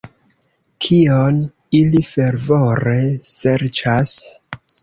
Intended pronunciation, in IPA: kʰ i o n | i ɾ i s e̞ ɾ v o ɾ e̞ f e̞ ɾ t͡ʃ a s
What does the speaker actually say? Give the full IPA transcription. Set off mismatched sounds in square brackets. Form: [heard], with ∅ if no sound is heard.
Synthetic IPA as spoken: kʰ i o n | i [l] i [f] e̞ ɾ v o ɾ e̞ [s] e̞ ɾ t͡ʃ a s